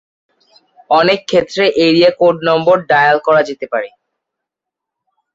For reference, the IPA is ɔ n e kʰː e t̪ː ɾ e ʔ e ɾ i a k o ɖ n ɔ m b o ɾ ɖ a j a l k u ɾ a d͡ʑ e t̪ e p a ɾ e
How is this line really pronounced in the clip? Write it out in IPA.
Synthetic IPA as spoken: ɔ n e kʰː e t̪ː ɾ e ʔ e ɾ i a k o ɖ n ɔ m b o ɾ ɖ a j a l k ɔ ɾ a d͡ʑ e t̪ e p a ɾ e